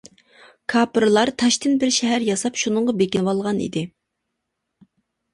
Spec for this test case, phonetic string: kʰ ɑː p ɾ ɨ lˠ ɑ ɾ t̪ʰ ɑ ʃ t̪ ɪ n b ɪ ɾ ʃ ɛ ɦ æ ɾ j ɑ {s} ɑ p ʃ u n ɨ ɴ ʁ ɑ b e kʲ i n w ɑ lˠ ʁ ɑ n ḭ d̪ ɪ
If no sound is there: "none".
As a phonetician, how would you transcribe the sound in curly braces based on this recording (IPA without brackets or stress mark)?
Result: s